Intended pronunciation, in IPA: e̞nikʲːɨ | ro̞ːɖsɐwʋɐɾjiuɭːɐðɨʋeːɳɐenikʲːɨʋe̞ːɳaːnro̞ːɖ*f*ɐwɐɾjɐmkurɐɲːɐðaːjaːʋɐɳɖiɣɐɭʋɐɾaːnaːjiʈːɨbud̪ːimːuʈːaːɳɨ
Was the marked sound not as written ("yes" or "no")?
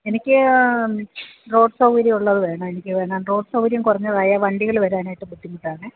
yes